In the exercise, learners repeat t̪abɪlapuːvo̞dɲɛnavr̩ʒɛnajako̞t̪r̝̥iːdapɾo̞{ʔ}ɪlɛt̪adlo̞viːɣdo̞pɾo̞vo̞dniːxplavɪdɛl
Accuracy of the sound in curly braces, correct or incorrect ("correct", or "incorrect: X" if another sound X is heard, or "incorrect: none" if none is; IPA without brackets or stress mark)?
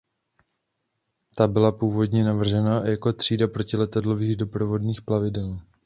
incorrect: c